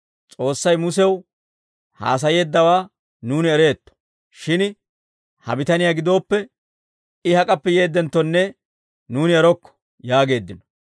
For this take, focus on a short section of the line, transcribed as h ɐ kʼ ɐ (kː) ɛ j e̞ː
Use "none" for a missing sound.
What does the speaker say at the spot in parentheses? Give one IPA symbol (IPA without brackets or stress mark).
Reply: pː